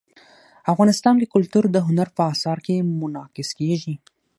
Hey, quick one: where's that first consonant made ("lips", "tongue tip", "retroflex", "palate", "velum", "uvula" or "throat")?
lips